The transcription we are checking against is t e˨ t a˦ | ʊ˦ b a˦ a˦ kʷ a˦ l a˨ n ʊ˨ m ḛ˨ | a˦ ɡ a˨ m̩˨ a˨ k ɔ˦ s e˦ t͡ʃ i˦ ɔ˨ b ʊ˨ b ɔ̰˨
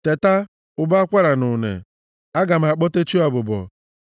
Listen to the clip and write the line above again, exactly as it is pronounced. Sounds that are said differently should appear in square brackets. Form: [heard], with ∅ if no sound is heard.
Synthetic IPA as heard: t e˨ t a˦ | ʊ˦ b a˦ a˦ kʷ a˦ [ɾ] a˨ n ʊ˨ [n] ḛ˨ | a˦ ɡ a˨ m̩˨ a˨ [k͡p] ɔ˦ [t] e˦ t͡ʃ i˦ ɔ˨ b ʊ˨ b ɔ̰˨